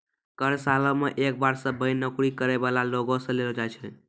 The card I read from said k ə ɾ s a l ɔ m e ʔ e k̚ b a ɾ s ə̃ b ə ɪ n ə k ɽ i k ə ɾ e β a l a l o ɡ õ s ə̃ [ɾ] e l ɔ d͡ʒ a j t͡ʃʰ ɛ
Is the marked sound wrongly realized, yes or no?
yes